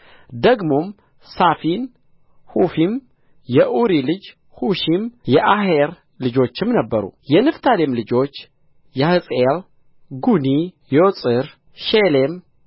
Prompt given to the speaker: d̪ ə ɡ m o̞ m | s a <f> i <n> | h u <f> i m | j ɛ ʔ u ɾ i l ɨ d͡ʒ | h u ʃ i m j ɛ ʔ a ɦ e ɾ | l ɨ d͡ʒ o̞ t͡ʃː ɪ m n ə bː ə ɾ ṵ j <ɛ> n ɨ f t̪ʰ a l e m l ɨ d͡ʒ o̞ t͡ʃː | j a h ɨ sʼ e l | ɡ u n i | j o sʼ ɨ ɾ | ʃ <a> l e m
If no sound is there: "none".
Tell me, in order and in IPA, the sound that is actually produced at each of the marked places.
f, n, f, ɛ, e

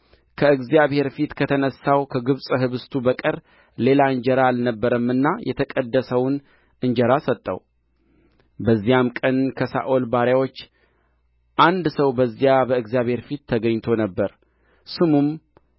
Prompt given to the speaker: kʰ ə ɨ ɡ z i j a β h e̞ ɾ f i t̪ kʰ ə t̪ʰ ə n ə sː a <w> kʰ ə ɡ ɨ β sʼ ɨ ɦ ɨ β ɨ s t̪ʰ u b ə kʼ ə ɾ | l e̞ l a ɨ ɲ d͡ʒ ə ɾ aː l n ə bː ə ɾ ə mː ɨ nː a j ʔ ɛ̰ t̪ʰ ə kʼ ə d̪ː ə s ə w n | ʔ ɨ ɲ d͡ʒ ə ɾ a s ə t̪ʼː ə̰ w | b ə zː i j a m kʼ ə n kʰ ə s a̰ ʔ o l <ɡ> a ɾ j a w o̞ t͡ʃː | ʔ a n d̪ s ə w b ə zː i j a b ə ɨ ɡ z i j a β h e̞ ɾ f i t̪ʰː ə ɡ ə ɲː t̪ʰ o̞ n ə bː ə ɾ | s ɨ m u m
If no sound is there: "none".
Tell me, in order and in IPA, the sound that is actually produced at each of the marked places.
w, b

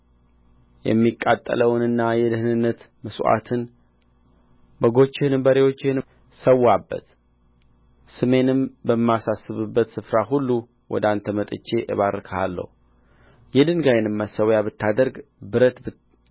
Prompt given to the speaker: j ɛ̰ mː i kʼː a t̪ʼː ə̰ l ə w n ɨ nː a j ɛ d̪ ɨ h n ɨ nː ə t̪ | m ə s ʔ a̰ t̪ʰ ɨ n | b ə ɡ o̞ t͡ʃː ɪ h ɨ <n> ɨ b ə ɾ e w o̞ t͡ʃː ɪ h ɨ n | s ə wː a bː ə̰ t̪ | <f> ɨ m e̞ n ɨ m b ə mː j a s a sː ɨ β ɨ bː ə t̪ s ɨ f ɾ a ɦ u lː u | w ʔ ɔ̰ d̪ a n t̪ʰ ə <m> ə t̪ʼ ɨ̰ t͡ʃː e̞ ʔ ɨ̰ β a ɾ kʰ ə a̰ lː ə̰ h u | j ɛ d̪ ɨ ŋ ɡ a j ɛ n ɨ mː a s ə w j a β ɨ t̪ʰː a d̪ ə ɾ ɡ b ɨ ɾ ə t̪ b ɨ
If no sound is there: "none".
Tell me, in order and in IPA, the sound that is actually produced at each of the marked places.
n, s, m

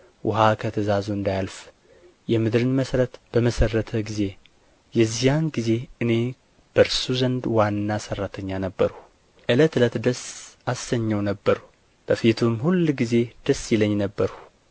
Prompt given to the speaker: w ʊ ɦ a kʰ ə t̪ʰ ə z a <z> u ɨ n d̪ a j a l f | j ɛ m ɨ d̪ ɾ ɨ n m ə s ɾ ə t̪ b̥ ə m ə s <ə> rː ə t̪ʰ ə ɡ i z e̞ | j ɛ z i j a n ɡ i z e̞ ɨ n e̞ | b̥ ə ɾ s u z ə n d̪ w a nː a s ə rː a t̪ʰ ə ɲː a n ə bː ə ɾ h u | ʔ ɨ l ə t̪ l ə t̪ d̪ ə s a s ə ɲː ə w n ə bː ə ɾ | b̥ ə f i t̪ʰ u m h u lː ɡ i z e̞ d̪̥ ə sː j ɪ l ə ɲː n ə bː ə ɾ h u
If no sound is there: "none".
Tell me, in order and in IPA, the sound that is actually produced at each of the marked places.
z, ə

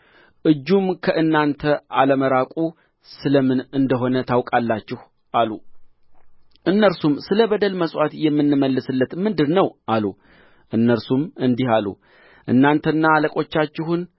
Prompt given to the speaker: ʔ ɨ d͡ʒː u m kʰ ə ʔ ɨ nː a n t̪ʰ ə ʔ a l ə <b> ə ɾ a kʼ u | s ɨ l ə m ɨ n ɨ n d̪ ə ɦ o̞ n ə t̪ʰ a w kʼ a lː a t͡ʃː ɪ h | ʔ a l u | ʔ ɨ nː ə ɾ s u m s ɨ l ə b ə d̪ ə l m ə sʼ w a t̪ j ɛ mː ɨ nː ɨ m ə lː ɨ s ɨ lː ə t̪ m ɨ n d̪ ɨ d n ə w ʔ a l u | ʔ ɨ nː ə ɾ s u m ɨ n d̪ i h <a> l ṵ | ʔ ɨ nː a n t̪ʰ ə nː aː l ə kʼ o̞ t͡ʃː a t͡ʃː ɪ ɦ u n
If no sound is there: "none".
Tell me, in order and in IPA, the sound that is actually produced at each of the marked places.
m, a

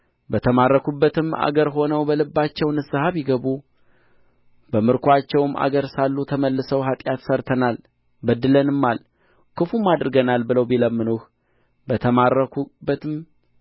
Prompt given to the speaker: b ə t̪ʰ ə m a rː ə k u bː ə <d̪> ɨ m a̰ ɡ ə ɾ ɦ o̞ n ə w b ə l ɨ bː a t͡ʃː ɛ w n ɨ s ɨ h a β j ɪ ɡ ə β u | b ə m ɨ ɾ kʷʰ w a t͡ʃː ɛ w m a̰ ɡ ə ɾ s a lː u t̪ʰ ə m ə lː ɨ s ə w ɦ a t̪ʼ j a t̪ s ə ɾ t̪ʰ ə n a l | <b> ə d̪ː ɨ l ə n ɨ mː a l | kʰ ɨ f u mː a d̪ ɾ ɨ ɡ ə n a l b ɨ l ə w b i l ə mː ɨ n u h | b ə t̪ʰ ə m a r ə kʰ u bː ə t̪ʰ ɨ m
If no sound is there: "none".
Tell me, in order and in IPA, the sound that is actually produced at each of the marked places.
t̪, b

